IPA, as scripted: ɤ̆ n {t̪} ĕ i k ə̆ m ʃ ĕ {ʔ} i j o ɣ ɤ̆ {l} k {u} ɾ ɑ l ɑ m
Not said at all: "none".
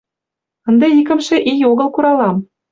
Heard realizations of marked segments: d̪, ʔ, l, u

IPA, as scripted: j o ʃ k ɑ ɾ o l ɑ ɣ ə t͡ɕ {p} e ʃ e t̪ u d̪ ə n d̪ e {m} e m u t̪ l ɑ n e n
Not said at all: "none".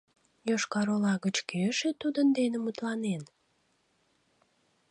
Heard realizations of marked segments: k, n

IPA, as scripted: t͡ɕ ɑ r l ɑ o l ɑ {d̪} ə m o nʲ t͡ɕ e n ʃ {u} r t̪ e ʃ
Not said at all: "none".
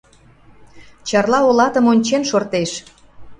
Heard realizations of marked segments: t̪, o

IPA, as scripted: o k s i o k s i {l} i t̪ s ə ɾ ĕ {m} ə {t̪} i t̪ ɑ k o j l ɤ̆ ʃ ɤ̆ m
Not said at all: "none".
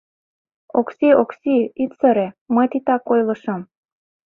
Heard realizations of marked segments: none, m, t̪

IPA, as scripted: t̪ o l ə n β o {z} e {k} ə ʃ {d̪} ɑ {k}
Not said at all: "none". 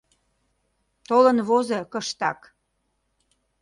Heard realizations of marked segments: z, k, t̪, k

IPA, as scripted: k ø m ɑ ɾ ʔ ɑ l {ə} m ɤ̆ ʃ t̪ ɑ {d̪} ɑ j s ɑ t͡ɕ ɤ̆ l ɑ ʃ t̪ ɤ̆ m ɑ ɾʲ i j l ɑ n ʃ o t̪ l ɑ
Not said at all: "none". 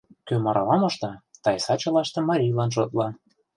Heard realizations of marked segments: ɑ, t̪

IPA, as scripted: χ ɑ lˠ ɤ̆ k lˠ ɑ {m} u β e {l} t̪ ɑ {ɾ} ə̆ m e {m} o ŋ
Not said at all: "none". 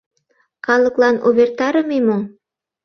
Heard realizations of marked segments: n, r, ɾ, m

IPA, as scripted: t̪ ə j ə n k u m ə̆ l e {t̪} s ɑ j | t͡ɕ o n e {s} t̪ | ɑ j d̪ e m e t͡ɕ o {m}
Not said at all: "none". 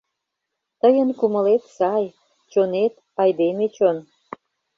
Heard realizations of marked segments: t̪, none, n

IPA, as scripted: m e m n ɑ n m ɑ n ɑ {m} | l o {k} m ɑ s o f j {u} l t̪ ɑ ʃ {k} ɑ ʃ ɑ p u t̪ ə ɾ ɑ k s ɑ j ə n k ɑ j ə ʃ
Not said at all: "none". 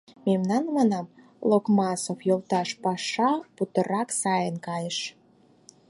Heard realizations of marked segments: m, k, o, p

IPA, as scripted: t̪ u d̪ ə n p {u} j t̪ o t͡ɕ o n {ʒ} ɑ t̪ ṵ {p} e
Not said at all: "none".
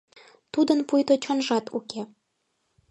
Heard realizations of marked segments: u, ʒ, k

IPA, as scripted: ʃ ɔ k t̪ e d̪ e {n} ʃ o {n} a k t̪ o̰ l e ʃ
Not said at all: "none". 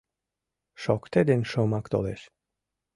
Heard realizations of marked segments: n, m

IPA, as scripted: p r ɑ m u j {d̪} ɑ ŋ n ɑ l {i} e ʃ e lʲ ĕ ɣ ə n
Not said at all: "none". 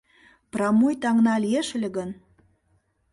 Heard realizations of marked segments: t̪, i

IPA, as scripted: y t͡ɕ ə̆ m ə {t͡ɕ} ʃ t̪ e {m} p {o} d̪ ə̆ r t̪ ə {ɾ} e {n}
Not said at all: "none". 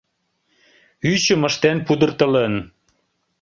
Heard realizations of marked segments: none, n, u, l, n

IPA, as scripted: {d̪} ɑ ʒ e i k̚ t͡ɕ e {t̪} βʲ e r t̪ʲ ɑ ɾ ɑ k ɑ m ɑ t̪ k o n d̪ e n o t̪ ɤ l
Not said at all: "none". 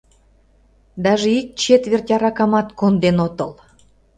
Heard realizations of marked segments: d̪, t̪

